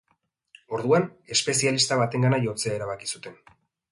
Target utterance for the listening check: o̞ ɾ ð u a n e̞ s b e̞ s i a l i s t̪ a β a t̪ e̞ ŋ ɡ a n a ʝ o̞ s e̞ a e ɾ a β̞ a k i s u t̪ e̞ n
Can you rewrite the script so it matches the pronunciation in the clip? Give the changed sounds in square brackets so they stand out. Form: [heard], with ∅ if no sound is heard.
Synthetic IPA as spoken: o̞ ɾ ð u a n e̞ s [p] e̞ s i a l i s t̪ a β a t̪ e̞ ŋ ɡ a n a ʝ o̞ [t͡s] e̞ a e ɾ a β̞ a k i s u t̪ e̞ n